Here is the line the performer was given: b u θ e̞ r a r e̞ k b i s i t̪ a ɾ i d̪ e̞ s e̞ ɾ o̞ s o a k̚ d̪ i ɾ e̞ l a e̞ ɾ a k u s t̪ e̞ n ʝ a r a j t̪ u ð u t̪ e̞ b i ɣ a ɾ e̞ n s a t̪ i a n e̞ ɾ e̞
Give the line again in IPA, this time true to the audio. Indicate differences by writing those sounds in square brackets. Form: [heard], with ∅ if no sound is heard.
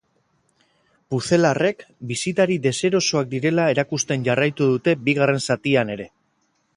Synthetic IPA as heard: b u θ e̞ [l] a r e̞ k b i s i t̪ a ɾ i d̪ e̞ s e̞ ɾ o̞ s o a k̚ d̪ i ɾ e̞ l a e̞ ɾ a k u s t̪ e̞ n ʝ a r a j t̪ u ð u t̪ e̞ b i ɣ a [r] e̞ n s a t̪ i a n e̞ ɾ e̞